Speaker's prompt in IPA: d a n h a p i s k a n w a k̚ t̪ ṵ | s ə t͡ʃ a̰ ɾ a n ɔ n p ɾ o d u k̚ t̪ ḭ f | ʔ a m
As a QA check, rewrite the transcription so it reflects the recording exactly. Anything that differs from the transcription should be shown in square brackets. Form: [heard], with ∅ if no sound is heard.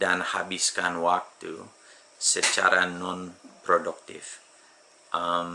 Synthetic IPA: d a n h a [b] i s k a n w a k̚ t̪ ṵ | s ə t͡ʃ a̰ ɾ a n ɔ n p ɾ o d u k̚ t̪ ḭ f | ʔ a m